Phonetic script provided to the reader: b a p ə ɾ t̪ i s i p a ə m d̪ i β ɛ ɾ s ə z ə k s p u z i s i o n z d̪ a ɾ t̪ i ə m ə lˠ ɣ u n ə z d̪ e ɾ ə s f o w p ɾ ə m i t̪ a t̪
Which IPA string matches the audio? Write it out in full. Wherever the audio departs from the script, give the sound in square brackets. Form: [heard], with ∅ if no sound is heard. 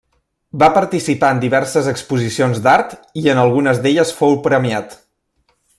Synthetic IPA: b a p ə ɾ t̪ i s i p a ə [n] d̪ i β ɛ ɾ s ə z ə k s p u z i s i o n z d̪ a ɾ t̪ i ə [n] ə lˠ ɣ u n ə z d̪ e [ʎ] ə s f o w p ɾ ə m i [∅] a t̪